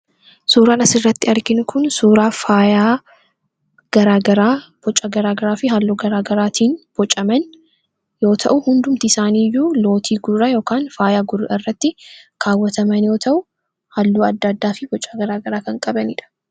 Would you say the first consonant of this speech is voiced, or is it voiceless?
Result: voiceless